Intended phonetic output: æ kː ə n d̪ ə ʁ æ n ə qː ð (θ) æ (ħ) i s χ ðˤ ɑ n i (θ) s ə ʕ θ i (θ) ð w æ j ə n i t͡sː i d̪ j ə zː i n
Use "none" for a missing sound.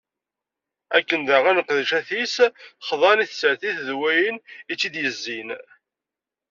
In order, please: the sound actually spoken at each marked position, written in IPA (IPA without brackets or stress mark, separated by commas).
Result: ʃ, θ, θ, θ